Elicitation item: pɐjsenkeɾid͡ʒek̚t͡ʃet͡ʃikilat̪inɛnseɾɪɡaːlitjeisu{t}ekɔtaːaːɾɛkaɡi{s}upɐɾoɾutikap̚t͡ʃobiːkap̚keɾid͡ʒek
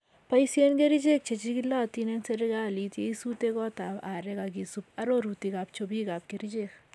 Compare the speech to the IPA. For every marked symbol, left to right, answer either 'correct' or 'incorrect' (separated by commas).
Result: correct, correct